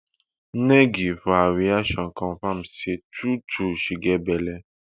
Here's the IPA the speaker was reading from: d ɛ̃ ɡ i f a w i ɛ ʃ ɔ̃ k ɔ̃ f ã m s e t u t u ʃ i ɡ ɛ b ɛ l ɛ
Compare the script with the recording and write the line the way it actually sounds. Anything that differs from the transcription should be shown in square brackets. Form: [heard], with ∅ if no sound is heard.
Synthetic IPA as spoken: [n] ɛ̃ ɡ i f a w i [a] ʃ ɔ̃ k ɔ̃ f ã m s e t u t u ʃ i ɡ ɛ b ɛ l ɛ

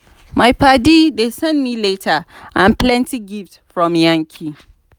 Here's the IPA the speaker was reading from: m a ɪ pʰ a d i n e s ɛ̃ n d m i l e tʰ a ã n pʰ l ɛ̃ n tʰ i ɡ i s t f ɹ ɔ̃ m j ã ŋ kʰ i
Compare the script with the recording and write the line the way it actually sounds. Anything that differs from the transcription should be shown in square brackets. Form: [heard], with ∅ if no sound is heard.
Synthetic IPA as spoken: m a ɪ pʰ a d i [d] e s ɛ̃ n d m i l e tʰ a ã n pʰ l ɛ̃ n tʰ i ɡ i [f] t f ɹ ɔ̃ m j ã ŋ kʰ i

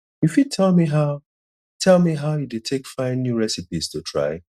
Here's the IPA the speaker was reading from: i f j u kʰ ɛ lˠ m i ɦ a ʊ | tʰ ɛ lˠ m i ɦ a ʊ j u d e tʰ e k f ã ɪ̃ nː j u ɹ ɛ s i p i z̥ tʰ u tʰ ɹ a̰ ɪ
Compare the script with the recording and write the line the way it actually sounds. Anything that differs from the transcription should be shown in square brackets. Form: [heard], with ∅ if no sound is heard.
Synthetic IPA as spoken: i f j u [tʰ] ɛ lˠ m i ɦ a ʊ | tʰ ɛ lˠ m i ɦ a ʊ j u d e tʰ e k f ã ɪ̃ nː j u ɹ ɛ s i p i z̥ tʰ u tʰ ɹ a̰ ɪ

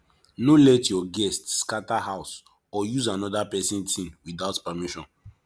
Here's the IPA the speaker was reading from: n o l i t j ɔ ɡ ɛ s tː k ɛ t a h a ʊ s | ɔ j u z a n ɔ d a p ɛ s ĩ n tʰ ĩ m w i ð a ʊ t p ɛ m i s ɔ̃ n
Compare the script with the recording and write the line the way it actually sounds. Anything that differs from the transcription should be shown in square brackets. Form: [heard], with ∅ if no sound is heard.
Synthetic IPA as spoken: n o l [ɛ] t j ɔ ɡ ɛ s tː k [a] t a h a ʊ s | ɔ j u z a n ɔ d a p ɛ s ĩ n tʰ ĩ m w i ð a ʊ t p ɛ m i [ʃ] ɔ̃ n

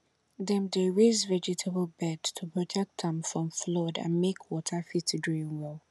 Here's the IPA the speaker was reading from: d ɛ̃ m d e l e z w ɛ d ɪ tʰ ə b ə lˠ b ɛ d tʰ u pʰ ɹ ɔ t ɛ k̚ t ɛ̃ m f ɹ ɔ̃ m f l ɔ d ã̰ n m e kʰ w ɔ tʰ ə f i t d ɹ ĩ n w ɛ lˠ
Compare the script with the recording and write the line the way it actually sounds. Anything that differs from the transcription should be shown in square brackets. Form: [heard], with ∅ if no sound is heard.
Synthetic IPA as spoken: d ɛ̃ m d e [ɹ] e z [v] ɛ [d͡ʒ] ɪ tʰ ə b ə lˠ b ɛ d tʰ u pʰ ɹ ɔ [tʰ] ɛ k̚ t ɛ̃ m f ɹ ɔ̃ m f l ɔ d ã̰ n m e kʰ w ɔ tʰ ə f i t d ɹ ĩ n w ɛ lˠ

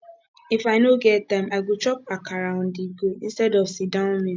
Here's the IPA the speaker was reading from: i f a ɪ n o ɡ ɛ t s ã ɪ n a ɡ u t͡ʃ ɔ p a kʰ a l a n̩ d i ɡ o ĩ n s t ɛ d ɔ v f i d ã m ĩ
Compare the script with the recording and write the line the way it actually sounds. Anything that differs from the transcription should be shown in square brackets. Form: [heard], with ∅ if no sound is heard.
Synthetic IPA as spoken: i f a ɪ n o ɡ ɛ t [t] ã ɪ [m] a ɡ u t͡ʃ ɔ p a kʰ a [ɾ] a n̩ d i ɡ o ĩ n s t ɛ d ɔ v [s] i d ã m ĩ

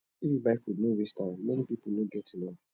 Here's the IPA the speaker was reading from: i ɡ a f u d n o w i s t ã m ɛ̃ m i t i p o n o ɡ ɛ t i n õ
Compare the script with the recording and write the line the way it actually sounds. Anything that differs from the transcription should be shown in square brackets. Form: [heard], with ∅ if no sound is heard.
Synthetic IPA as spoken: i [b] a f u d n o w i s t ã m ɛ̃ [n] i [p] i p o n o ɡ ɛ t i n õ

